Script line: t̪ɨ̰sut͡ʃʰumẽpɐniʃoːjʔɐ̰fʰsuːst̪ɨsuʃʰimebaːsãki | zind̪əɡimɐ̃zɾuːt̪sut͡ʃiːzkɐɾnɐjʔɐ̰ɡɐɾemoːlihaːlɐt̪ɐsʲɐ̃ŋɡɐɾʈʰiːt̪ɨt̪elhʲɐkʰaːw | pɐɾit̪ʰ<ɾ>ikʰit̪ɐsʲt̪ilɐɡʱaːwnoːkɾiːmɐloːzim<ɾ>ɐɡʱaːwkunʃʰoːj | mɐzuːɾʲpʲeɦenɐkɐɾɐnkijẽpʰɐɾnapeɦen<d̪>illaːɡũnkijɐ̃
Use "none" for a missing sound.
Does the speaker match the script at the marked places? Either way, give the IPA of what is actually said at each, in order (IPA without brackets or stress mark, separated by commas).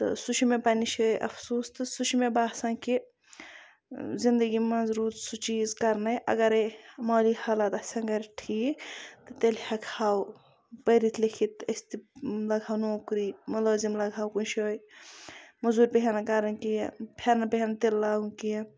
l, l, t̪